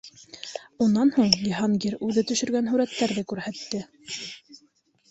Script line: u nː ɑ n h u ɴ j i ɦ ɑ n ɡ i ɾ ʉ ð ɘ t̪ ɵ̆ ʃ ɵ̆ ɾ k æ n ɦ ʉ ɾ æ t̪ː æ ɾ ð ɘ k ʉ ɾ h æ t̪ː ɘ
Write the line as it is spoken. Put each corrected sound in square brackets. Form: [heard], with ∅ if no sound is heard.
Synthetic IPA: u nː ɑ n h u ɴ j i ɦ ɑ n ɡ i ɾ ʉ ð ɘ t̪ ɵ̆ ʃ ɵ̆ ɾ [ɡ] æ n ɦ ʉ ɾ æ t̪ː æ ɾ ð ɘ k ʉ ɾ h æ t̪ː ɘ